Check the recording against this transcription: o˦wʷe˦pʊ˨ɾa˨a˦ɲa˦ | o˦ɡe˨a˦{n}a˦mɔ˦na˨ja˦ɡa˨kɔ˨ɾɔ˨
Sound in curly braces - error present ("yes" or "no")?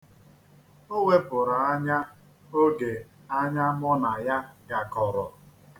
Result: yes